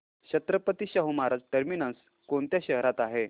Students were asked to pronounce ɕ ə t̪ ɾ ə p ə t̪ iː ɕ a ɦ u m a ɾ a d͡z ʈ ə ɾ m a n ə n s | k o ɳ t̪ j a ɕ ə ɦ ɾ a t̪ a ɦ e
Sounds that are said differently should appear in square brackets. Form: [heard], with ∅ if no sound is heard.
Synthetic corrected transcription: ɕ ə t̪ ɾ ə p ə t̪ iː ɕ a ɦ u m a ɾ a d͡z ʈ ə ɾ m [i] n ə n s | k o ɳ t̪ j a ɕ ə ɦ ɾ a t̪ a ɦ e